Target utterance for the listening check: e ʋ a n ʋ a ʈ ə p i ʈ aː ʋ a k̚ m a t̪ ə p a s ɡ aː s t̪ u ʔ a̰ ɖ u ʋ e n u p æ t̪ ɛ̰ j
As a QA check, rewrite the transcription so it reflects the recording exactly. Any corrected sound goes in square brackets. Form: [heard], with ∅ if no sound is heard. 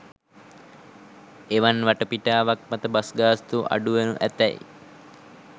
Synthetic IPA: e ʋ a n ʋ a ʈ ə p i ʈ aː ʋ a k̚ m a t̪ ə [b] a s ɡ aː s t̪ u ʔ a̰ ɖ u ʋ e n u [ʔ] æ t̪ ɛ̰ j